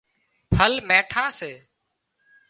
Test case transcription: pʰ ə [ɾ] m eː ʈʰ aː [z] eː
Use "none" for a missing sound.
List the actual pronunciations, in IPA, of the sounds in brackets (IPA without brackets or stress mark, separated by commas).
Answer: l, s